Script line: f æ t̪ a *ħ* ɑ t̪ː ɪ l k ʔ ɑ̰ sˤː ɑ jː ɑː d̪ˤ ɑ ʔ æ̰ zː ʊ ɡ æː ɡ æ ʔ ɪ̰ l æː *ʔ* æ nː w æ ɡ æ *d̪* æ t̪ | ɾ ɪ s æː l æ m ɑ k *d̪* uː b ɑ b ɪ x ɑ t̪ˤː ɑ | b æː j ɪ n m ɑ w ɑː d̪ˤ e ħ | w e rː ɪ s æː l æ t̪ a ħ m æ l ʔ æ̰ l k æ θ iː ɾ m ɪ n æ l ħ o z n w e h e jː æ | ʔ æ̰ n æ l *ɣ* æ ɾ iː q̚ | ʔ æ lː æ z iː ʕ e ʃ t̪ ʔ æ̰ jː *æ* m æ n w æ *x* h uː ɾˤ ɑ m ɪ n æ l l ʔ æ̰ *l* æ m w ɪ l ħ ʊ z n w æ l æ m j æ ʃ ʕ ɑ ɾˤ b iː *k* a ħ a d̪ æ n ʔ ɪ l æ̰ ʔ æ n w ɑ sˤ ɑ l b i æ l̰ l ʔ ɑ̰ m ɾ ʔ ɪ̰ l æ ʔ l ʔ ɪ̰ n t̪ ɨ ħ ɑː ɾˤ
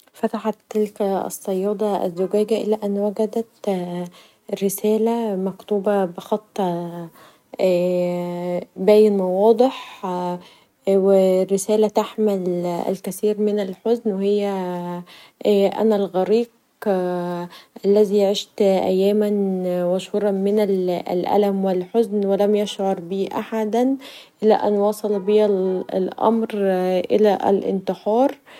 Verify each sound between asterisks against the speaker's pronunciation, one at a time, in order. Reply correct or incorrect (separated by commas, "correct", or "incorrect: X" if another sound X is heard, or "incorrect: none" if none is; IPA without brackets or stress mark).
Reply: correct, correct, correct, incorrect: t̪, correct, incorrect: æː, incorrect: ʃ, correct, incorrect: ʔ